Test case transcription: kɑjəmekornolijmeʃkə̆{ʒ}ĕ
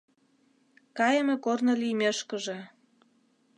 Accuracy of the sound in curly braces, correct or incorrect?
correct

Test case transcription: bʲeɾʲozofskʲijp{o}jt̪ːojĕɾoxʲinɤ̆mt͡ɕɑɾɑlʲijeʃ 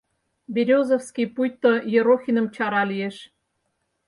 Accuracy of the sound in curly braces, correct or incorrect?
incorrect: u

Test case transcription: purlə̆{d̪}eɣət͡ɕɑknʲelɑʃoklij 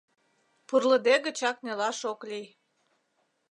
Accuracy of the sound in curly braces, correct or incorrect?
correct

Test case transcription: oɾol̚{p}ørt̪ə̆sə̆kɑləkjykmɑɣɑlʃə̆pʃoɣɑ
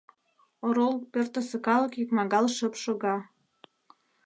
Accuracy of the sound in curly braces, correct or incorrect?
correct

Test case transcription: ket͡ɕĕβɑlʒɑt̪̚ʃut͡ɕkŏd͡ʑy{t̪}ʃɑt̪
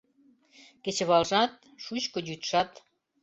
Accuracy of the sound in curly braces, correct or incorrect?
correct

